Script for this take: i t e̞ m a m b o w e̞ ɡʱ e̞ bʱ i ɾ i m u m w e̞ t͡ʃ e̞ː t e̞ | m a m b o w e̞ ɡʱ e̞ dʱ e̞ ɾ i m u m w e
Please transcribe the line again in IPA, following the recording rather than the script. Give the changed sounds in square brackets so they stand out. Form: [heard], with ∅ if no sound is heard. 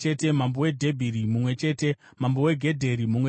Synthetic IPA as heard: [e] t e̞ m a m b o w e̞ [dʱ] e̞ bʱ i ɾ i m u m w e̞ t͡ʃ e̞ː t e̞ | m a m b o w e̞ ɡʱ e̞ dʱ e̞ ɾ i m u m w e